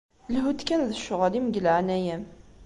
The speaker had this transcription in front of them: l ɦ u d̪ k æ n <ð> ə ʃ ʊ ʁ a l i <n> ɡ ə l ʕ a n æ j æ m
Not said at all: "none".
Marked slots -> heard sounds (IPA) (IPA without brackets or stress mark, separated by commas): ð, m